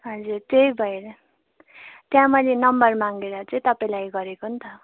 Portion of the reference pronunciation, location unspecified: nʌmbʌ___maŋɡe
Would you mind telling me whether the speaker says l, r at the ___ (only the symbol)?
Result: r